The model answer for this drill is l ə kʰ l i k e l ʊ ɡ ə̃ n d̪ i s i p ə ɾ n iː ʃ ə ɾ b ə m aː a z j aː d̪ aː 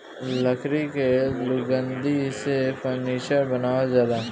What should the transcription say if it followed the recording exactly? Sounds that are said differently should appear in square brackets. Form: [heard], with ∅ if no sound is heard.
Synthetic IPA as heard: l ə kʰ [ɾ] i k e l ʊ ɡ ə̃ n d̪ i s [e] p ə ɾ n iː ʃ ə ɾ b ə [n] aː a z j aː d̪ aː